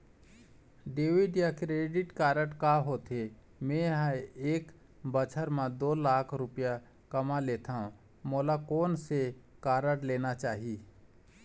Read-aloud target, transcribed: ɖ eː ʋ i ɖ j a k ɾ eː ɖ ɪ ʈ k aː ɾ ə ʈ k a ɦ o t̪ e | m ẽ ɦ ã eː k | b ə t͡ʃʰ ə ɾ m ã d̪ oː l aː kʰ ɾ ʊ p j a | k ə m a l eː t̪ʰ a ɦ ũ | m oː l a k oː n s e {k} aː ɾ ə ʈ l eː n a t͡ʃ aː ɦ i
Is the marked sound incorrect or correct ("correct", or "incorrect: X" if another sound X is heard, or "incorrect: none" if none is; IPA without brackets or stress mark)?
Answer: correct